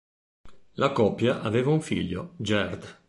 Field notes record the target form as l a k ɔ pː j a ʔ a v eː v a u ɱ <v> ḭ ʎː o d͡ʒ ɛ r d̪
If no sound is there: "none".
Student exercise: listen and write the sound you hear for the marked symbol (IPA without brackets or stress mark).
f